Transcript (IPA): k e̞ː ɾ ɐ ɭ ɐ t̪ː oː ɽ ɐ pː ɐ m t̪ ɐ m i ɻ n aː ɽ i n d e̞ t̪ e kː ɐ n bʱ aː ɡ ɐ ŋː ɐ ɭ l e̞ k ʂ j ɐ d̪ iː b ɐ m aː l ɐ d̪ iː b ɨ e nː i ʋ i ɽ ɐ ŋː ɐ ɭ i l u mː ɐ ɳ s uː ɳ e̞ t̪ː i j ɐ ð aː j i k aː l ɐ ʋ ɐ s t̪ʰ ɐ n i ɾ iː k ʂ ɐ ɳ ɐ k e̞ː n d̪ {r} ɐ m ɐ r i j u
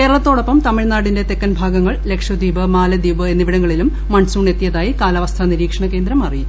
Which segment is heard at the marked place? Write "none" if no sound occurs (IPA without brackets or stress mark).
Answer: ɾ